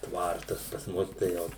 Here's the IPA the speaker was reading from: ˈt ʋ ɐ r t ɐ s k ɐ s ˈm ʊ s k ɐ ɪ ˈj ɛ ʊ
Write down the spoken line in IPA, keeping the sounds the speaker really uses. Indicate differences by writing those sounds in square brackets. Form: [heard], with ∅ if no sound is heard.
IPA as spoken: ˈt ʋ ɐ r t ɐ s [p] ɐ s ˈm ʊ s [t] ɐ ɪ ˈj ɛ ʊ